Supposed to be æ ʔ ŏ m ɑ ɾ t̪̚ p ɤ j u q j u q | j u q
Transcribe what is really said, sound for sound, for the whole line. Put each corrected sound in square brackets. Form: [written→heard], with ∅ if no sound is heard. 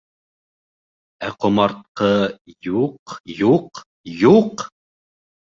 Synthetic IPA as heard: æ [ʔ→q] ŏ m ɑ ɾ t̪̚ [p→q] ɤ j u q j u q | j u q